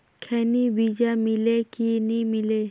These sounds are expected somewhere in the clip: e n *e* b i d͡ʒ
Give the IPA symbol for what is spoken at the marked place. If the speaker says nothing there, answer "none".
i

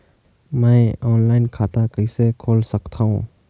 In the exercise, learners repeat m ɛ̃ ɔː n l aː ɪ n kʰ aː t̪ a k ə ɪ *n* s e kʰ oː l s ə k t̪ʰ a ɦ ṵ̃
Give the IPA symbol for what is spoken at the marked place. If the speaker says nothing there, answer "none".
none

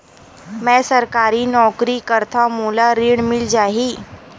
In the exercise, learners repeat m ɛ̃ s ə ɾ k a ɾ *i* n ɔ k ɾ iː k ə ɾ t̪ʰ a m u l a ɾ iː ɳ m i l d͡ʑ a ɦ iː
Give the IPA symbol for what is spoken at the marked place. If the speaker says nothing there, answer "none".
iː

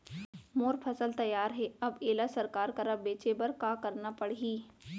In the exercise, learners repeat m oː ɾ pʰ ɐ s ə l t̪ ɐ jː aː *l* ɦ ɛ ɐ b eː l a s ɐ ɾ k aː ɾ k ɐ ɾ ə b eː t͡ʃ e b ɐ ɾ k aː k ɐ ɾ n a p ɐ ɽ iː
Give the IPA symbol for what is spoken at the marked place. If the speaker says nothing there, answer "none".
ɾ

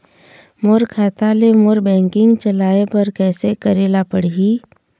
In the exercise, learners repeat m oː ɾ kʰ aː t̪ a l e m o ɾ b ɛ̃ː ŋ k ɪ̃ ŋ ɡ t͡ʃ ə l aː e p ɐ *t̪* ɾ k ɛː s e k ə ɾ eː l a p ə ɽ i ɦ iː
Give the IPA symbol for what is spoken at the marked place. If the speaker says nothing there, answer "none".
none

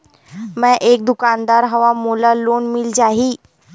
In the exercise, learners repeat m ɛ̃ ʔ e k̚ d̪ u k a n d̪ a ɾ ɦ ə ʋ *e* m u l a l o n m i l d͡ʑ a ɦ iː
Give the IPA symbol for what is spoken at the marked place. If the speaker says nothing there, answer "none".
a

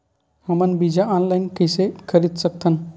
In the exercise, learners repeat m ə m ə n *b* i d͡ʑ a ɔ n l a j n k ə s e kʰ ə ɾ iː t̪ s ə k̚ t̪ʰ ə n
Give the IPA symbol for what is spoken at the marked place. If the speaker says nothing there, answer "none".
b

